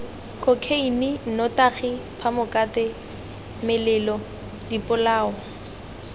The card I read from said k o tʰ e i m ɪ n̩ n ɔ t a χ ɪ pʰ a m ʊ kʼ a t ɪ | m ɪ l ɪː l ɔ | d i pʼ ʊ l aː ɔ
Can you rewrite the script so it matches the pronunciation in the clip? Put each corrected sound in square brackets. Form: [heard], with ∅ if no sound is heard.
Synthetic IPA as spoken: k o [kʰ] e i [n] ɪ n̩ n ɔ t a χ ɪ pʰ a m ʊ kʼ a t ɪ | m ɪ l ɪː l ɔ | d i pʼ ʊ l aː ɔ